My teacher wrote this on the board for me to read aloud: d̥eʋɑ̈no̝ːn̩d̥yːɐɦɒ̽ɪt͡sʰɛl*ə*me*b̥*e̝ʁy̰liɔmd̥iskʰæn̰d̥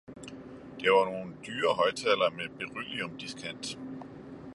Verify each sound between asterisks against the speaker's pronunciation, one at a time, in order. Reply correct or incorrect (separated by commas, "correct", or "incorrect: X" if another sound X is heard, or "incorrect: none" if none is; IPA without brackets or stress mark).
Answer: incorrect: ɐ, correct